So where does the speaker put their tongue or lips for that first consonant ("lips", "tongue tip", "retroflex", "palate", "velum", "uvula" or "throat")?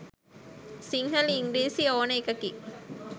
tongue tip